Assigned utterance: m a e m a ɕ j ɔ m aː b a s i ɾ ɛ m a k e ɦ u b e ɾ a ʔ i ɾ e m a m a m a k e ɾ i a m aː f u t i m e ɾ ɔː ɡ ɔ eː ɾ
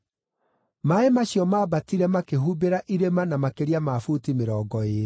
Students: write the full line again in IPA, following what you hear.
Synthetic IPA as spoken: m a e m a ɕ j ɔ m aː b a t i ɾ ɛ m a k e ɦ u b e ɾ a ʔ i ɾ e m a n a m a k e ɾ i a m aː f u t i m e ɾ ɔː ɡ ɔ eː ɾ